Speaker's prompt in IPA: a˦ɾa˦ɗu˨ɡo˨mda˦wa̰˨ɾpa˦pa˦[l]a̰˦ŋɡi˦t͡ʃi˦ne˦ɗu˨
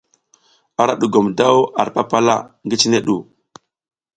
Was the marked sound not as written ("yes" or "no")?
no